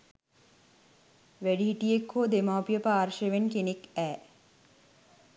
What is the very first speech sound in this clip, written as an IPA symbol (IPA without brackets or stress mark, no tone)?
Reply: ʋ